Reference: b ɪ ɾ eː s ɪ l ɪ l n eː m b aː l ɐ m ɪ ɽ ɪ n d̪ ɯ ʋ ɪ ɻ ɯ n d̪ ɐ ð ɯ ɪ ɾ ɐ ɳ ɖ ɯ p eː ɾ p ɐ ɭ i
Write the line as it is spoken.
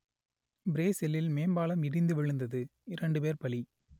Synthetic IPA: b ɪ ɾ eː s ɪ l ɪ l m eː m b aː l ɐ m ɪ ɽ ɪ n d̪ ɯ ʋ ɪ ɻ ɯ n d̪ ɐ ð ɯ ɪ ɾ ɐ ɳ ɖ ɯ p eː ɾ p ɐ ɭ i

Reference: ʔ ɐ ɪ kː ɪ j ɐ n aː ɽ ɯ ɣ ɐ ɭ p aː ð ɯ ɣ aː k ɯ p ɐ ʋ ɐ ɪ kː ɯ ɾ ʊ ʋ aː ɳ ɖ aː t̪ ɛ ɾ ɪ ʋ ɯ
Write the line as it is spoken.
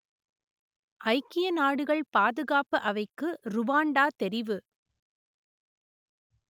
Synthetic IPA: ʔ ɐ ɪ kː ɪ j ɐ n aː ɽ ɯ ɣ ɐ ɭ p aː ð ɯ ɣ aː p ɯ ʔ ɐ ʋ ɐ ɪ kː ɯ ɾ ʊ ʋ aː ɳ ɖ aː t̪ ɛ ɾ ɪ ʋ ɯ

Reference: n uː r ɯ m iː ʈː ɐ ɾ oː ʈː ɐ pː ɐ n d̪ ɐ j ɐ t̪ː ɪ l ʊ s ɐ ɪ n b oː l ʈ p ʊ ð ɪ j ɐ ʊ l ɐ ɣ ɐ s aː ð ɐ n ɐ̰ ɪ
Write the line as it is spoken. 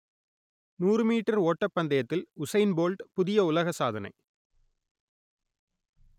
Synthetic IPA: n uː r ɯ m iː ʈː ɐ ɾ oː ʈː ɐ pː ɐ n d̪ ɐ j ɐ t̪ː ɪ l ʊ s ɐ ɪ n b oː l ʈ p ʊ ð ɪ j ɐ ʊ l ɐ ɣ ɐ s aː ð ɐ n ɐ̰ ɪ

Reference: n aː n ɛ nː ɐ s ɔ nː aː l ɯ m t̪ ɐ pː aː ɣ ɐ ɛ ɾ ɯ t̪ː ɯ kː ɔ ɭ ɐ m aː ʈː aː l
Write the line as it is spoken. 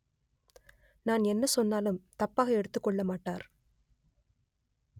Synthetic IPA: n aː n ɛ nː ɐ s ɔ nː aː l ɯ m t̪ ɐ pː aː ɣ ɐ ɛ ɽ ɯ t̪ː ɯ kː ɔ ɭː ɐ m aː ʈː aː ɾ

